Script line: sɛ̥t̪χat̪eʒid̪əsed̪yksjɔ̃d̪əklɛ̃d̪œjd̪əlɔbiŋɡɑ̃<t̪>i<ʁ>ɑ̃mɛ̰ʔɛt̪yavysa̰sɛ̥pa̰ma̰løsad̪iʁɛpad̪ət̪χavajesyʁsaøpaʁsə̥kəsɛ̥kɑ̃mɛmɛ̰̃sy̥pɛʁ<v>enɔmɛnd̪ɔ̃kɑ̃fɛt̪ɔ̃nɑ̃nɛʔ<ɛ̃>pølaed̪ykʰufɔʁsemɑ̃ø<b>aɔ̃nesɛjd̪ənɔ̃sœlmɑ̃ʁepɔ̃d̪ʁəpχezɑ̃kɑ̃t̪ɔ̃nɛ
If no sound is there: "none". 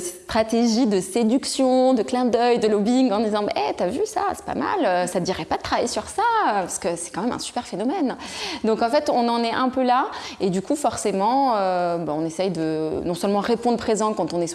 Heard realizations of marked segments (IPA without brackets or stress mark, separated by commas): d̪, z, f, ɛ̃, b